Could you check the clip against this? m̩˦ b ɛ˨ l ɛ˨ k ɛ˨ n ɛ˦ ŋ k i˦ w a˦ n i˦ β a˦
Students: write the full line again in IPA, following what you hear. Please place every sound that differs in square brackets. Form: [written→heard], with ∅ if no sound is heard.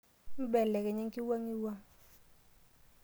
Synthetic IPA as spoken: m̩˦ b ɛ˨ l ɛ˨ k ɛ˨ [n→ɲ] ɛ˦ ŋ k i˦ w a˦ [n→ŋ] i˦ [β→w] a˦